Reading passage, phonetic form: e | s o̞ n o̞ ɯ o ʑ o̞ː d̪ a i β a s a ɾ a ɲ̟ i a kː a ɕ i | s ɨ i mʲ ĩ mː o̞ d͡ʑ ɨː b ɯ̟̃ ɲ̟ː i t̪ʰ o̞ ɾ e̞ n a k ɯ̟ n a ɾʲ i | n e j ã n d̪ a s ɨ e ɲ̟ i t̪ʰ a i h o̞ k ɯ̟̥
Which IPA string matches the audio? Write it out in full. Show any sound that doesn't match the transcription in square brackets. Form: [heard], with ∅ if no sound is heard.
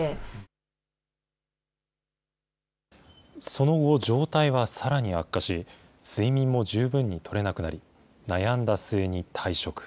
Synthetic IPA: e | s o̞ n o̞ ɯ o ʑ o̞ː [t̪] a i β a s a ɾ a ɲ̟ i a kː a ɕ i | s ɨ i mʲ ĩ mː o̞ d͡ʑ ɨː b ɯ̟̃ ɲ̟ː i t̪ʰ o̞ ɾ e̞ n a k ɯ̟ n a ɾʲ i | n [a] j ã n d̪ a s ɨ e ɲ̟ i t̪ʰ a i [ɕ] o̞ k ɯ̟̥